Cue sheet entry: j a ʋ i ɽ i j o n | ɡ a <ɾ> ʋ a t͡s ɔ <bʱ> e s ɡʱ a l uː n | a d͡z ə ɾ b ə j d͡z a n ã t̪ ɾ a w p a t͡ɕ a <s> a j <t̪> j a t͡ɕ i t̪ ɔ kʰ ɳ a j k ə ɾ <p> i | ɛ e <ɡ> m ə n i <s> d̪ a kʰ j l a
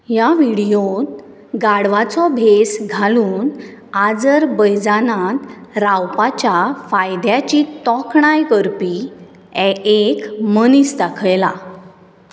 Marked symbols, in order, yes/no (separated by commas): no, yes, no, no, yes, no, yes